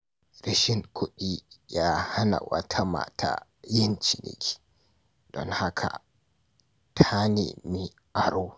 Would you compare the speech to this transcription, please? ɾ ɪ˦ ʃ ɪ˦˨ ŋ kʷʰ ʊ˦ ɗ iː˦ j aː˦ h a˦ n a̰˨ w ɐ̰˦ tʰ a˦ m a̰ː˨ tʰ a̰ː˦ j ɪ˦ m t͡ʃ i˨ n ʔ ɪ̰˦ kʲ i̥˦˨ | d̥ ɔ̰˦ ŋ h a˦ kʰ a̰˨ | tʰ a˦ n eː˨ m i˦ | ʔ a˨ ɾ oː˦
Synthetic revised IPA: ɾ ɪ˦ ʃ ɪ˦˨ ŋ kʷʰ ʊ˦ ɗ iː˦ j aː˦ h a˦ n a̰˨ w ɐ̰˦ tʰ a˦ m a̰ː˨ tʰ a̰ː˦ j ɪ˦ n t͡ʃ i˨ n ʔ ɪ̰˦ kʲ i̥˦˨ | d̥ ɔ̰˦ ŋ h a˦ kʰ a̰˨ | tʰ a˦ n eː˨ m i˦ | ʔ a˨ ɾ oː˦